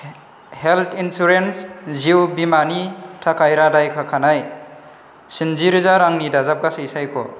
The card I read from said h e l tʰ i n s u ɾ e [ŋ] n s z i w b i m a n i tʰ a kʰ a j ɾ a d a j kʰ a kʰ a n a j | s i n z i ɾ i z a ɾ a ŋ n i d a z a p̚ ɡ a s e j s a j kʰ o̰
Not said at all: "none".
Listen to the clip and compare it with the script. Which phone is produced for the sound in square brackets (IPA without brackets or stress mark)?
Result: none